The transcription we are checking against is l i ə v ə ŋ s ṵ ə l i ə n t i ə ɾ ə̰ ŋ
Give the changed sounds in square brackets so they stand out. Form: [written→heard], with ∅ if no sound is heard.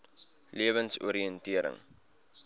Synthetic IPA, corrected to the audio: l i ə v ə [ŋ→n] s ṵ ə [l→ɾ] i ə n t i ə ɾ ə̰ ŋ